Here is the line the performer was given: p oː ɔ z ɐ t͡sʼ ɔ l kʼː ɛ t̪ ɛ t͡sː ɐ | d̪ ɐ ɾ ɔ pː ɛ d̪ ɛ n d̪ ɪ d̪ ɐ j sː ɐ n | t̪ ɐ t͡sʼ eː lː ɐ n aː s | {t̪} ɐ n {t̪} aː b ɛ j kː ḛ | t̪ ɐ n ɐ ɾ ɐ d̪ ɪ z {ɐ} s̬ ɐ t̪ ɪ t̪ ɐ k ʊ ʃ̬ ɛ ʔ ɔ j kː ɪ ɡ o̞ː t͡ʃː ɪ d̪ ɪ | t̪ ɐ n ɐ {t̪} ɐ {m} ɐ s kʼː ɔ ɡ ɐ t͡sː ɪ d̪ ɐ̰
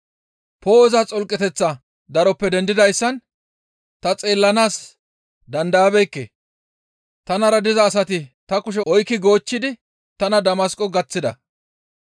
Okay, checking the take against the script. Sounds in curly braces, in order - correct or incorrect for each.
incorrect, incorrect, incorrect, incorrect, correct

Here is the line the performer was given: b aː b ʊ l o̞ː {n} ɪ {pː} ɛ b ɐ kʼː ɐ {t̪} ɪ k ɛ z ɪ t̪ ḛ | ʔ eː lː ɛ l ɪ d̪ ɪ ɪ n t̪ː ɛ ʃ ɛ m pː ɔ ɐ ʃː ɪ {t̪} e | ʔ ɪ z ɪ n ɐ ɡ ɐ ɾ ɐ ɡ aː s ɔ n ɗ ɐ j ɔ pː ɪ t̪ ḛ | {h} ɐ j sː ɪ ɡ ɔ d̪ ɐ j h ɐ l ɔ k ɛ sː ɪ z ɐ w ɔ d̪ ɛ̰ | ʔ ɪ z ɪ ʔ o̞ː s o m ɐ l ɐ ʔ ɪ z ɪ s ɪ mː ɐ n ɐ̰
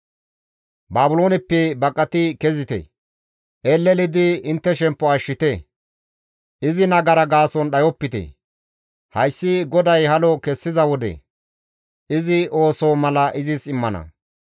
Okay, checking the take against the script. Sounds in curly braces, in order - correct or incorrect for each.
correct, correct, correct, correct, correct

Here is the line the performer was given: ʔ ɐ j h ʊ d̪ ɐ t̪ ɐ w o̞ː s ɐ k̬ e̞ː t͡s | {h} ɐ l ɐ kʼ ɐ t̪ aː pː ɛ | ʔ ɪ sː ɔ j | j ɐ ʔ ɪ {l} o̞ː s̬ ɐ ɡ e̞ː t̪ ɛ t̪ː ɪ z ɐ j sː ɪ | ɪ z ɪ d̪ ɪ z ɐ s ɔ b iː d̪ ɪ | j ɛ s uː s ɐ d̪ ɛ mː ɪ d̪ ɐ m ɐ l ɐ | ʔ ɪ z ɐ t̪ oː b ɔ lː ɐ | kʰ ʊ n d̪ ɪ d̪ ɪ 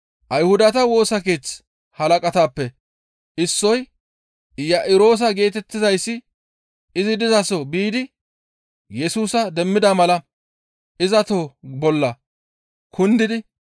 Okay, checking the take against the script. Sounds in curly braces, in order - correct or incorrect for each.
correct, incorrect

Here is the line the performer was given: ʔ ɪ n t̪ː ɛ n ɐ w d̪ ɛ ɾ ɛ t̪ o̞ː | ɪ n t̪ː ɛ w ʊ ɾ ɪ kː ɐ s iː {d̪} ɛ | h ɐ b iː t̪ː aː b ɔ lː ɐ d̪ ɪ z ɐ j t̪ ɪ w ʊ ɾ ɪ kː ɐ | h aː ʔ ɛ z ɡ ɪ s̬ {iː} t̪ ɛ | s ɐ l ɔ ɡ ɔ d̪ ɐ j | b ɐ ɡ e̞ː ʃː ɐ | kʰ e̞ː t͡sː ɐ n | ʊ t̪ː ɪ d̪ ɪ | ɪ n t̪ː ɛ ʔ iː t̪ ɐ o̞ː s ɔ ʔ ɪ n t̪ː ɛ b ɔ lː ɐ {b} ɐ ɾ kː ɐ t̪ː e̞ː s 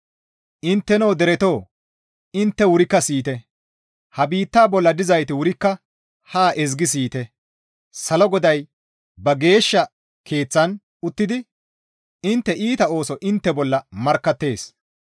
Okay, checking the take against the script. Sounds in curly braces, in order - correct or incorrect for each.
incorrect, correct, incorrect

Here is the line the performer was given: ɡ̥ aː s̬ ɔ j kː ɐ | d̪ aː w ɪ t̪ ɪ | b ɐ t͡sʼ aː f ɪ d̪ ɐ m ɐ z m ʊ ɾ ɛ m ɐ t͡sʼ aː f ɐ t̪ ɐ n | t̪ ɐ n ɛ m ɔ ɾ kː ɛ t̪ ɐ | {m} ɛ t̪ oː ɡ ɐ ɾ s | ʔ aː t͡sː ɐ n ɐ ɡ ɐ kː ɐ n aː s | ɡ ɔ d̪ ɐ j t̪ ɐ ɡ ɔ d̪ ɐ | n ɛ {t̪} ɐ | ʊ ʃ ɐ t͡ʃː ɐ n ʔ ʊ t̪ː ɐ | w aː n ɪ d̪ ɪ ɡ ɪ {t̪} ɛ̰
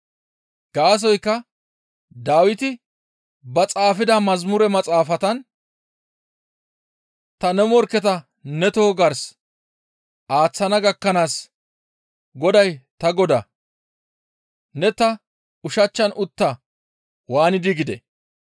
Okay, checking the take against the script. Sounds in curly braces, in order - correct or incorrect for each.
incorrect, correct, incorrect

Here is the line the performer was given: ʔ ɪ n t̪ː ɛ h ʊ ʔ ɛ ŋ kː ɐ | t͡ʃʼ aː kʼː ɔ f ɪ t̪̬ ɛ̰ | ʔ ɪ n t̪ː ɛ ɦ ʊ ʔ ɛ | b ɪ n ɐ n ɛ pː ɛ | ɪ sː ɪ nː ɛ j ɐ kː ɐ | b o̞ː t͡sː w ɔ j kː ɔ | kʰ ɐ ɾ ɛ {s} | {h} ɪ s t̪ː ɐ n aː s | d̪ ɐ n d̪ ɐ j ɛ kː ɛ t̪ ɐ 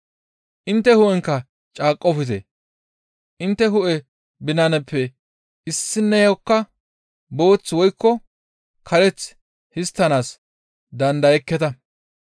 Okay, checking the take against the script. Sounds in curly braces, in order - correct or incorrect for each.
incorrect, correct

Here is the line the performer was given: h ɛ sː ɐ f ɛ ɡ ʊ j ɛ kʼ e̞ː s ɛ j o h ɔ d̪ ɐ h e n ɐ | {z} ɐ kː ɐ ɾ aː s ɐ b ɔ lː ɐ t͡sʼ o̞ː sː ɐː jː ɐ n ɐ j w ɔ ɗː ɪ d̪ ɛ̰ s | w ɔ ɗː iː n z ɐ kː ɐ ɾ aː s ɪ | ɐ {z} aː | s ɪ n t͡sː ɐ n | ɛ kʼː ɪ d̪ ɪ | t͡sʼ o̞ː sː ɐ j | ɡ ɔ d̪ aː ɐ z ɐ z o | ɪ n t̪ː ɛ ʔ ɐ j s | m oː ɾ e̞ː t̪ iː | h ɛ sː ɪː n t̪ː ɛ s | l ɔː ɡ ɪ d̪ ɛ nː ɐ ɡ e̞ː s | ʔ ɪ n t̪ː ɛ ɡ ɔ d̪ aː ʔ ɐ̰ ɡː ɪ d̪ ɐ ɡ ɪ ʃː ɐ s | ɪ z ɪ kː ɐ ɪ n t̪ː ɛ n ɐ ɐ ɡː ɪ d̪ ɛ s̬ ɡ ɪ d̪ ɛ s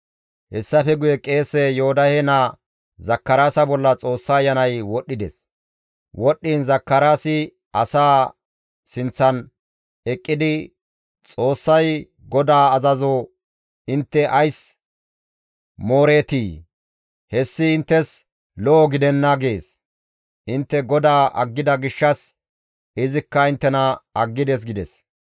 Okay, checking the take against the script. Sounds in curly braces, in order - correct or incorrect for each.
correct, incorrect

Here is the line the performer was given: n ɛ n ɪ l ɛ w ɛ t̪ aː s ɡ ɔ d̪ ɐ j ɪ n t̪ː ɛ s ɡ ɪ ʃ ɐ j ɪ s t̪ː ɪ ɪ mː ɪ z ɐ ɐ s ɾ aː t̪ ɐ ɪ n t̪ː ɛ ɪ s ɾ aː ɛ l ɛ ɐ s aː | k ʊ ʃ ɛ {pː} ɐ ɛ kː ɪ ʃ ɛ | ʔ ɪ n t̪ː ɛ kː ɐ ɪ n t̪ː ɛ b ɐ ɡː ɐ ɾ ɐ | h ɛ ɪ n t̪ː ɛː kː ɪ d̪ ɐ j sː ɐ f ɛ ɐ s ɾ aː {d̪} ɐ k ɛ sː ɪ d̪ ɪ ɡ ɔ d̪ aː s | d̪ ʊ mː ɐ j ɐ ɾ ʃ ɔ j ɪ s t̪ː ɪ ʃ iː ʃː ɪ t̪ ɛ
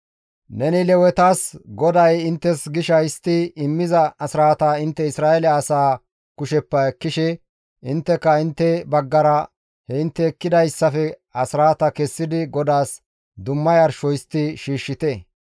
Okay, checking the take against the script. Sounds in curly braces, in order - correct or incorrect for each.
correct, incorrect

